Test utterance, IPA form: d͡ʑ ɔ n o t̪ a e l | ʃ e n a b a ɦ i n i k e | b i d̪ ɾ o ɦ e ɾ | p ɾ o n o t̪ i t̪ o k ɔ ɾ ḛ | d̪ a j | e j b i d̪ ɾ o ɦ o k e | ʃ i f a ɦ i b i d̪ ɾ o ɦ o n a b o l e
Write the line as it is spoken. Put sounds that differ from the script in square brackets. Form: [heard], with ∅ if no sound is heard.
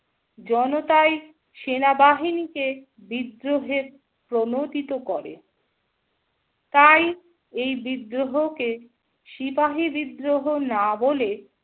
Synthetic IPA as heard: d͡ʑ ɔ n o t̪ a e [∅] | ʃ e n a b a ɦ i n i k e | b i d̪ ɾ o ɦ e ɾ | p ɾ o n o t̪ i t̪ o k ɔ ɾ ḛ | [t̪] a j | e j b i d̪ ɾ o ɦ o k e | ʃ i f a ɦ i b i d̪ ɾ o ɦ o n a b o l e